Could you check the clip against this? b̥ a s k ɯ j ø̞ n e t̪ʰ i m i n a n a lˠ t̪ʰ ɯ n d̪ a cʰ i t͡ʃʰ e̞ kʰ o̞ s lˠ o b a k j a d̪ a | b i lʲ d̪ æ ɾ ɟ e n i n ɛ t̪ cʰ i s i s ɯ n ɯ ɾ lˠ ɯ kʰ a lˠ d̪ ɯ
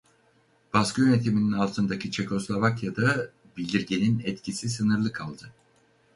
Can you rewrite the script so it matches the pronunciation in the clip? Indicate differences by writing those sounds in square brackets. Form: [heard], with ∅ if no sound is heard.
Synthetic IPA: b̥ a s k ɯ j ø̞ n e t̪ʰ i m i n [i] n a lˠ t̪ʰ ɯ n d̪ a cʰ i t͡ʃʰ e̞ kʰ o̞ s lˠ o [v] a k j a d̪ a | b i lʲ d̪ [i] ɾ ɟ e n i n ɛ t̪ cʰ i s i s ɯ n ɯ ɾ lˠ ɯ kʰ a lˠ d̪ ɯ